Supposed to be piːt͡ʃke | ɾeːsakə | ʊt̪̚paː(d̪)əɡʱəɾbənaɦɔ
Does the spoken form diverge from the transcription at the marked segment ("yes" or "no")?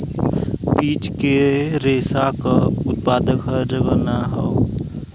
no